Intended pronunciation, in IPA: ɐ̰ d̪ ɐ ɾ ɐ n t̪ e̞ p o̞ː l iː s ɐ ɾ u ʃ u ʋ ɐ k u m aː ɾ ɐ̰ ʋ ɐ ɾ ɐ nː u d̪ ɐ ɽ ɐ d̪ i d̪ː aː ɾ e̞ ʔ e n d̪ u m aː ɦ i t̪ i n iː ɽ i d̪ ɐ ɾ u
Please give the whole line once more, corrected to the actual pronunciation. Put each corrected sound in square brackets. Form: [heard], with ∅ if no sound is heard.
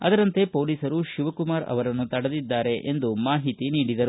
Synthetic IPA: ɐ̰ d̪ ɐ ɾ ɐ n t̪ e̞ p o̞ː l iː s ɐ ɾ u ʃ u ʋ ɐ k u m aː ɾ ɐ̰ ʋ ɐ ɾ ɐ nː u [t̪] ɐ ɽ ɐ d̪ i d̪ː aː ɾ e̞ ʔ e n d̪ u m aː ɦ i t̪ i n iː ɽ i d̪ ɐ ɾ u

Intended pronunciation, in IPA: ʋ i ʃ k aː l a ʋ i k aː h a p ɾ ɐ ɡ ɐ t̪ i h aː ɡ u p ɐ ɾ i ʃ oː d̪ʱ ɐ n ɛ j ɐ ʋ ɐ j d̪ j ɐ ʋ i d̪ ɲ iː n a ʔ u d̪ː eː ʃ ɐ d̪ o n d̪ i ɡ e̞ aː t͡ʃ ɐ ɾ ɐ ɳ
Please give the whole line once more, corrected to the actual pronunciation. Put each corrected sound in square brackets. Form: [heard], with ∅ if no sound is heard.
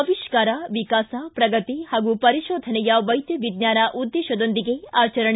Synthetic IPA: ʋ i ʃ k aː [ɾ] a ʋ i k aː [s] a p ɾ ɐ ɡ ɐ t̪ i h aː ɡ u p ɐ ɾ i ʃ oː d̪ʱ ɐ n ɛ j ɐ ʋ ɐ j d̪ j ɐ ʋ i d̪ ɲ [aː] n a ʔ u d̪ː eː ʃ ɐ d̪ o n d̪ i ɡ e̞ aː t͡ʃ ɐ ɾ ɐ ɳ

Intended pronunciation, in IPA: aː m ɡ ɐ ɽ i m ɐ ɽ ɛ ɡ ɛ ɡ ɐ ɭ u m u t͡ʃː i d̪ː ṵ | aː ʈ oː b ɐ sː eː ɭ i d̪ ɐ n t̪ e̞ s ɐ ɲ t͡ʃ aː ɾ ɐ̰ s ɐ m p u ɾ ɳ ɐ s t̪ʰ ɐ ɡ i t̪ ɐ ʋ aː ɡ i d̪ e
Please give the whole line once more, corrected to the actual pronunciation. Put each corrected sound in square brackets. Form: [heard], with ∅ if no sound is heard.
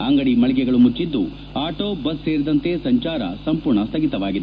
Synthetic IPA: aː [ŋ] ɡ ɐ ɽ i m ɐ [ɭ] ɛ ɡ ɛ ɡ ɐ ɭ u m u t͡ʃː i d̪ː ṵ | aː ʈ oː b ɐ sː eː [ɾ] i d̪ ɐ n t̪ e̞ s ɐ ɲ t͡ʃ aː ɾ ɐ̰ s ɐ m p u ɾ ɳ ɐ s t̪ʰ ɐ ɡ i t̪ ɐ ʋ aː ɡ i d̪ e

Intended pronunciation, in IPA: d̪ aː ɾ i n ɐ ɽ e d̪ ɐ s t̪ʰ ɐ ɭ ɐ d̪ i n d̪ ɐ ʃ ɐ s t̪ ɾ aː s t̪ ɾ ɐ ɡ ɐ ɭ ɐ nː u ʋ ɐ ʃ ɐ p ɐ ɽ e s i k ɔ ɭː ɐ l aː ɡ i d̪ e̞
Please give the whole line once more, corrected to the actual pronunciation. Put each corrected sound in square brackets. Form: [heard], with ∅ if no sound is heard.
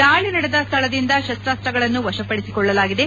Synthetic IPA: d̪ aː [ɭ] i n ɐ ɽ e d̪ ɐ s t̪ʰ ɐ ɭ ɐ d̪ i n d̪ ɐ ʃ ɐ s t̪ ɾ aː s t̪ ɾ ɐ ɡ ɐ ɭ ɐ nː u ʋ ɐ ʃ ɐ p ɐ ɽ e s i k ɔ ɭː ɐ l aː ɡ i d̪ e̞

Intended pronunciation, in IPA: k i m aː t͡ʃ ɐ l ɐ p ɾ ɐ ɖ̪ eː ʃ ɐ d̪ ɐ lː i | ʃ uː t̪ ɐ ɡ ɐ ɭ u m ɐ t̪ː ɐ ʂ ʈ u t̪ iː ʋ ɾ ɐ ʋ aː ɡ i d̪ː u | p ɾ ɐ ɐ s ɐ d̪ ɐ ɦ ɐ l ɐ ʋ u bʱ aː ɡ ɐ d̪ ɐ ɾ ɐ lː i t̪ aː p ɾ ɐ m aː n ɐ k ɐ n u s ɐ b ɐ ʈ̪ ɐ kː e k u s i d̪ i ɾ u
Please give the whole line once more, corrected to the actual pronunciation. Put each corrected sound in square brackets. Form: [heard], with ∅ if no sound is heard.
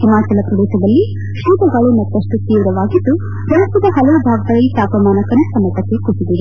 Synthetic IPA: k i m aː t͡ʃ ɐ l ɐ p ɾ ɐ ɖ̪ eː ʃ ɐ d̪ ɐ lː i | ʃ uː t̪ ɐ ɡ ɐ ɭ u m ɐ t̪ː ɐ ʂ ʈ u t̪ iː ʋ ɾ ɐ ʋ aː ɡ i d̪ː u | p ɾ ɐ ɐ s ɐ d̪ ɐ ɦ ɐ l ɐ ʋ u bʱ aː ɡ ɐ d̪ ɐ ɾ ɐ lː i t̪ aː p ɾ ɐ m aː n ɐ k ɐ n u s ɐ [m] ɐ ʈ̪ ɐ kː e k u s i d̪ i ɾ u

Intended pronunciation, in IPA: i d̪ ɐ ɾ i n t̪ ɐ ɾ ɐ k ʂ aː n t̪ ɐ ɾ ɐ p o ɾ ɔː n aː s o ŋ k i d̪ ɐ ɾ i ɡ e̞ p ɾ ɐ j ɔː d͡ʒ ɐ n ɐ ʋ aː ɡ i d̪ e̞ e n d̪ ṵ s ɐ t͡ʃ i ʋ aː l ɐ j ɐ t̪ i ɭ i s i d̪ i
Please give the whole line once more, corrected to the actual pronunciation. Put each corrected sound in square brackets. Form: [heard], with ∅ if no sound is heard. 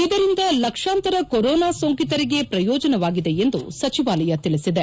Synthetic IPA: i d̪ ɐ ɾ i n [d̪] ɐ [l] ɐ k ʂ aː n t̪ ɐ ɾ ɐ [k] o ɾ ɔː n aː s o ŋ k i [t̪] ɐ ɾ i ɡ e̞ p ɾ ɐ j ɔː d͡ʒ ɐ n ɐ ʋ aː ɡ i d̪ e̞ e n d̪ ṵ s ɐ t͡ʃ i ʋ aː l ɐ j ɐ t̪ i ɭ i s i d̪ [e]

